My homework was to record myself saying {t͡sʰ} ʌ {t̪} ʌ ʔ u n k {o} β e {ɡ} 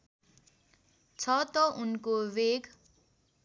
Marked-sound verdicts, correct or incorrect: correct, correct, correct, correct

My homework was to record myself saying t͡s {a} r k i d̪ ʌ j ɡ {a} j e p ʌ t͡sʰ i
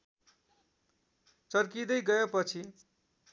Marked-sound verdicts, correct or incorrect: incorrect, incorrect

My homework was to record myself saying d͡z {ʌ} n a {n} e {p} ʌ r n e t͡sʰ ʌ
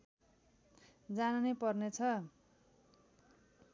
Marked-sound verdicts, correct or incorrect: incorrect, correct, correct

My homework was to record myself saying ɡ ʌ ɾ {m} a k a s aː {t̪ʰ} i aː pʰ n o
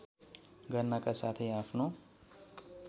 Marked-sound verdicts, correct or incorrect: incorrect, correct

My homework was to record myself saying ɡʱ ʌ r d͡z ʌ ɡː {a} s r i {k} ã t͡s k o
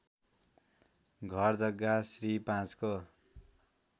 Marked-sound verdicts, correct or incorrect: correct, incorrect

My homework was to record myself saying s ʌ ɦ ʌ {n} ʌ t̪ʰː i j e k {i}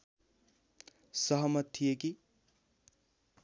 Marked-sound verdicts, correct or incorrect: incorrect, correct

